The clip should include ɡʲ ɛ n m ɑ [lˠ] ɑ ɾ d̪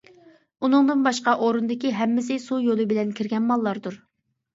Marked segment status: incorrect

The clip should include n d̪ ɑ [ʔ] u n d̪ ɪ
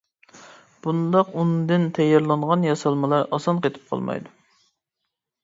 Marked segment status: incorrect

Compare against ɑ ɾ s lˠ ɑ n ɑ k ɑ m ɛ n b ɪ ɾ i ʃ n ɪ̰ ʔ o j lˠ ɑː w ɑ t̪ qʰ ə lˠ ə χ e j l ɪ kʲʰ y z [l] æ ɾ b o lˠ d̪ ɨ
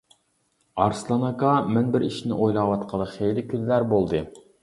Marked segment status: correct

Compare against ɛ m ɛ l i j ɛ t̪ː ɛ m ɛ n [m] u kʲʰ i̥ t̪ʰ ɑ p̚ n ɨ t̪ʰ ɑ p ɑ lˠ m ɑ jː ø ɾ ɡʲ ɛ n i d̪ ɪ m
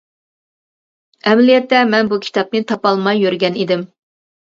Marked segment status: incorrect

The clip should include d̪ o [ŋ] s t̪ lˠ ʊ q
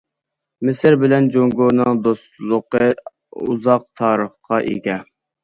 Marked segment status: incorrect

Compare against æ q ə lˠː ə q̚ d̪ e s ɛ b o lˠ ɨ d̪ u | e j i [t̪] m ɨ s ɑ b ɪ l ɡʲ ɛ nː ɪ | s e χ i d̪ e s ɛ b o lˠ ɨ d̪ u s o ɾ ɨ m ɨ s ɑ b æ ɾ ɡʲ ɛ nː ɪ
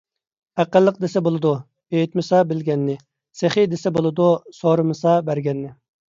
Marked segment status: correct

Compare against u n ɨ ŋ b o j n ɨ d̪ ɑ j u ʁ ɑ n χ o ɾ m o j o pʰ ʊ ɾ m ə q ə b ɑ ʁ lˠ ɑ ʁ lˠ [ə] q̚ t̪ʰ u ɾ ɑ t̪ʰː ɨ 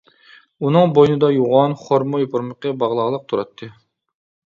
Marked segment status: correct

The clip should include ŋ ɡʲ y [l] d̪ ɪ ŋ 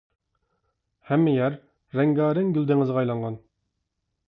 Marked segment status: correct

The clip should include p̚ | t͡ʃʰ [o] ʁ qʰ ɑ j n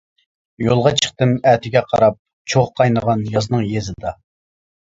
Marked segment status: correct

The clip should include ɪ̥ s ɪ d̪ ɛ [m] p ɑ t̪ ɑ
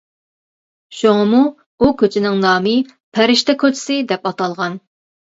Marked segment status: incorrect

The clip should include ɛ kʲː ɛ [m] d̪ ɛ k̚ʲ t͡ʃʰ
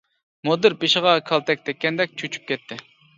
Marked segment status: incorrect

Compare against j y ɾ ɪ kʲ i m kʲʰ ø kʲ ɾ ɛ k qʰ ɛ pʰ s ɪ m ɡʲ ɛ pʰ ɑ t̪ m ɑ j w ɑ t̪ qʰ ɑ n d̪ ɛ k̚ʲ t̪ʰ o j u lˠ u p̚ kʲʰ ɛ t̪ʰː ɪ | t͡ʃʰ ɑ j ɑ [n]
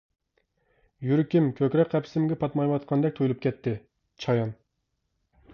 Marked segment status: correct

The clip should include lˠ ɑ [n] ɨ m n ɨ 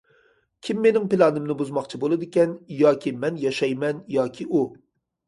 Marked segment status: correct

